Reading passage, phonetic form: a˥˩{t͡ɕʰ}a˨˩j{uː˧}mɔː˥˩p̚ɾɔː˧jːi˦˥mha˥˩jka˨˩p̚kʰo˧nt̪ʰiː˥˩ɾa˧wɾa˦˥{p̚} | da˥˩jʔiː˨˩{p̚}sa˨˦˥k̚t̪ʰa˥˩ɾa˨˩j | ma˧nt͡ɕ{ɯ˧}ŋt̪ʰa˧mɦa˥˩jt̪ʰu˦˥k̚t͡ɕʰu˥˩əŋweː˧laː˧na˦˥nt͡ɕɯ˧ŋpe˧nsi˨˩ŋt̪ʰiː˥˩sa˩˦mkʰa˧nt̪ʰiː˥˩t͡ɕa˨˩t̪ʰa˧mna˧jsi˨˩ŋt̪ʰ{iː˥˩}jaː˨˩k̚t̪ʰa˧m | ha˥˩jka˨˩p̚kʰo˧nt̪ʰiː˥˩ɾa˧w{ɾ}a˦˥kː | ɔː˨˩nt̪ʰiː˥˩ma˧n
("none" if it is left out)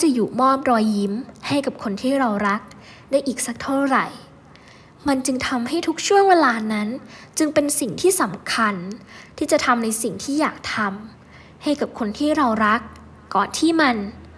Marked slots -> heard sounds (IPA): t͡ɕ, uː˨˩, k̚, k̚, ɯ˧, iː˥˩, ɾ

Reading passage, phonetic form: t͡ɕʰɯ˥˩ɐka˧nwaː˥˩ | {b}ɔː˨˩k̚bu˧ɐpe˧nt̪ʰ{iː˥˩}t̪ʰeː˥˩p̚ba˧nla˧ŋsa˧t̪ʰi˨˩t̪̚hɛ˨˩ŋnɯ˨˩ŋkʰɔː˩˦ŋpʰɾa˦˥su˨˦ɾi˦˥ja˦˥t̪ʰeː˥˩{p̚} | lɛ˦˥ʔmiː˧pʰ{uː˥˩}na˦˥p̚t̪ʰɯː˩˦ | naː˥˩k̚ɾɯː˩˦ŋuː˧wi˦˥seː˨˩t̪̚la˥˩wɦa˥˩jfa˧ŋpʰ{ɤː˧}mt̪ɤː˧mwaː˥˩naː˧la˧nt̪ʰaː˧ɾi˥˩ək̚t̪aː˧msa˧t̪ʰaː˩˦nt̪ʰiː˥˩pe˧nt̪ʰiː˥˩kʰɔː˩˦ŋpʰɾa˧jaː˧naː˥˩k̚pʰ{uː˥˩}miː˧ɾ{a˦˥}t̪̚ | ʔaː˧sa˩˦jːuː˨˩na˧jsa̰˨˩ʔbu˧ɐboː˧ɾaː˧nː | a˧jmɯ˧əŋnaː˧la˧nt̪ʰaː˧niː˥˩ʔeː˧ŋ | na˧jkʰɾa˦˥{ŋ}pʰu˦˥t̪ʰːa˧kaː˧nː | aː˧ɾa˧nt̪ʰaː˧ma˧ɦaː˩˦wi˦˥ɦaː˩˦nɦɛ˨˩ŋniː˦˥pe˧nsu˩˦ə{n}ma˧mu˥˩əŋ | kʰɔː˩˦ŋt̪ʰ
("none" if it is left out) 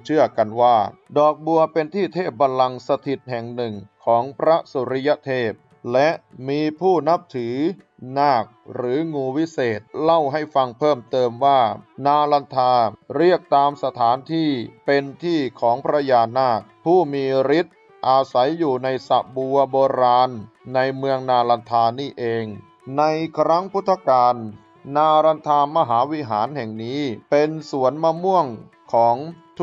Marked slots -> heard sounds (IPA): d, iː˥˩, p̚, uː˥˩, ɤː˥˩, uː˥˩, i˦˥, ŋ, n

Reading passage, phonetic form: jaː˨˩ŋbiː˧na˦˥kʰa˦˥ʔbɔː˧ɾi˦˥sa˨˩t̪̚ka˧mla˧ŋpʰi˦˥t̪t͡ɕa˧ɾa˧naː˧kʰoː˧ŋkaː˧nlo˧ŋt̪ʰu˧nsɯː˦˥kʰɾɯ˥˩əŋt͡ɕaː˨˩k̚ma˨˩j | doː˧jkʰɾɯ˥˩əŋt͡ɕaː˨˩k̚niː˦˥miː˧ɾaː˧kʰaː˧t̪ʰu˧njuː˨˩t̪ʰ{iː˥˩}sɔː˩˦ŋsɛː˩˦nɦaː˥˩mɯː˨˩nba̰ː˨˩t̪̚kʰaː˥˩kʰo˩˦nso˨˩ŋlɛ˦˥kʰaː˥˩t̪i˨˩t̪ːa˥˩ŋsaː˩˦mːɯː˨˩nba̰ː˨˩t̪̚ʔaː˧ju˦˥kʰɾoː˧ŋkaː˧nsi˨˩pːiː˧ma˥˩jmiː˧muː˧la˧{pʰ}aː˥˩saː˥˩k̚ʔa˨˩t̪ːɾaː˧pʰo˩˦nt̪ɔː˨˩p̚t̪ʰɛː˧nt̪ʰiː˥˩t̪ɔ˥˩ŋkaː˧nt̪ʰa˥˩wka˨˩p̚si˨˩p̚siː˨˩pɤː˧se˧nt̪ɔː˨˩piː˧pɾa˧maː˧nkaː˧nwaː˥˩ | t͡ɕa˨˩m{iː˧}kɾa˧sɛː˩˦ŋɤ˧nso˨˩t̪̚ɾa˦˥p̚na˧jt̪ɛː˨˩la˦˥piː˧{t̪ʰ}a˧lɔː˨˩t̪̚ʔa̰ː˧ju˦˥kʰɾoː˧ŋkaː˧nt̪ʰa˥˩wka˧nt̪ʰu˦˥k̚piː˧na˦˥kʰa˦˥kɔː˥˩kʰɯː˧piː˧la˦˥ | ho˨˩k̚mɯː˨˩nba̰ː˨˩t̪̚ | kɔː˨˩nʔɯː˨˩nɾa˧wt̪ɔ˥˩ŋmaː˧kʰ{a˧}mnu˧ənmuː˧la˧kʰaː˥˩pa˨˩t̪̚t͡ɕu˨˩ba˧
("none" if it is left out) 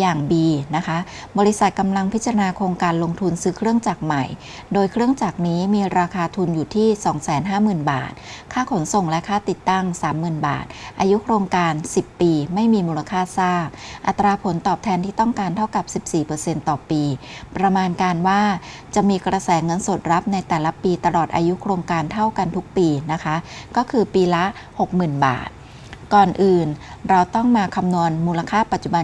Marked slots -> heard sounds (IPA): iː˥˩, kʰ, iː˧, t̪, a˧

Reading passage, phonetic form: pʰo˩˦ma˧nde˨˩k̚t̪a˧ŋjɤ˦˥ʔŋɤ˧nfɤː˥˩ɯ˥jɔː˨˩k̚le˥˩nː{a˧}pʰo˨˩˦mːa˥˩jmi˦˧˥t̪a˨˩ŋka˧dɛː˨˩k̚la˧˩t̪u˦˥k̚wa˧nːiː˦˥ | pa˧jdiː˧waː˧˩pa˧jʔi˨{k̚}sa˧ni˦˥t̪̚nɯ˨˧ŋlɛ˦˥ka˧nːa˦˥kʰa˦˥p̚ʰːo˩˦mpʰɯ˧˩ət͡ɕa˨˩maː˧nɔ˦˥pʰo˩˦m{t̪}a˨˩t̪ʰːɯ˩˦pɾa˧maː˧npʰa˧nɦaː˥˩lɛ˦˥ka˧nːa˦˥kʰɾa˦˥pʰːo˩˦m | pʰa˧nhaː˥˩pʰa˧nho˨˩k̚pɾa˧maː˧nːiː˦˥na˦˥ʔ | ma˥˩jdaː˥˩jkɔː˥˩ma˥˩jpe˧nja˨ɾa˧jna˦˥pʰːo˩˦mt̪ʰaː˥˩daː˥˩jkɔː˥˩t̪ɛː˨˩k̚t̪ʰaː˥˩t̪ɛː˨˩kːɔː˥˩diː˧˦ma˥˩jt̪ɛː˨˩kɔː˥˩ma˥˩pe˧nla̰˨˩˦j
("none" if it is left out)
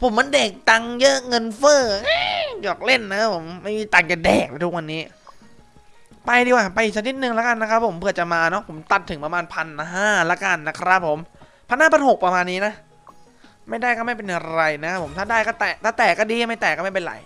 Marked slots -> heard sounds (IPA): a˦˥, k̚, t̪

